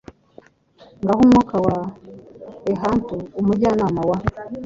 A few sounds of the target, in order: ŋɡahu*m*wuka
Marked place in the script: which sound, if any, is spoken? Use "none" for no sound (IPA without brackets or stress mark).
m